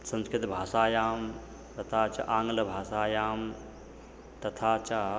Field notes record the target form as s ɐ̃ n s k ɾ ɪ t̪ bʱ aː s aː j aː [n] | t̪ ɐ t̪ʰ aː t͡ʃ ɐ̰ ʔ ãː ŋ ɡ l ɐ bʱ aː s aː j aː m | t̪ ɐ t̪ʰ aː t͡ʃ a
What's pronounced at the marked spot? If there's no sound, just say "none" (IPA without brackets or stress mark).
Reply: m